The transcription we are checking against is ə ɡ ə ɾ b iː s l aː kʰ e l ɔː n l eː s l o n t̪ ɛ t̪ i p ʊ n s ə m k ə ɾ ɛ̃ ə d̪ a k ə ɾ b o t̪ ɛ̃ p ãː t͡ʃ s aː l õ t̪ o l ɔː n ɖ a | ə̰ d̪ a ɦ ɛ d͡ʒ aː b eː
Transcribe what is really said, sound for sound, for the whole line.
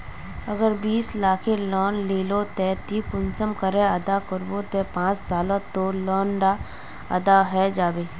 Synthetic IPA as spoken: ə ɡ ə ɾ b iː s l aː kʰ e l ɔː n l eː l o t̪ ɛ t̪ i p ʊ n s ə m k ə ɾ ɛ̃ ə d̪ a k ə ɾ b o t̪ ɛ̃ p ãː t͡ʃ s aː l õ t̪ o l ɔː n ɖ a | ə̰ d̪ a ɦ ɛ d͡ʒ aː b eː